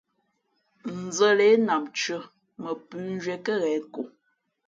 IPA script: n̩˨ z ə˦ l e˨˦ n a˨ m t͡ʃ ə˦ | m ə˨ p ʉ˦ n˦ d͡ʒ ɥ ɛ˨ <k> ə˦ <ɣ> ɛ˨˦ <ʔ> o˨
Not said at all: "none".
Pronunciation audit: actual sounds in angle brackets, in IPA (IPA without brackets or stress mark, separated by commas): k, ɣ, k